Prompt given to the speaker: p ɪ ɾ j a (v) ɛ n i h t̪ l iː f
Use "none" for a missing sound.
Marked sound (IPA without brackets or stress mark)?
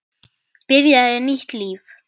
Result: ð